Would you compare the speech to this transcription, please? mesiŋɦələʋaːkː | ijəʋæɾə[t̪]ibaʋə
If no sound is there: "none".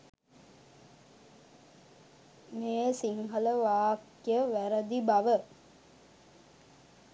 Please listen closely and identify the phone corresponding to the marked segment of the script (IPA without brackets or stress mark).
d̪